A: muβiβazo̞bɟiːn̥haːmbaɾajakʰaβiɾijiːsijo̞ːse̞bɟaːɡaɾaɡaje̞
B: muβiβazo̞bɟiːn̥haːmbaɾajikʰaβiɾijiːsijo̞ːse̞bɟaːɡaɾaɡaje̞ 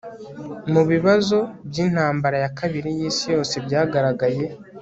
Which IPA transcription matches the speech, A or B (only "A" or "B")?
A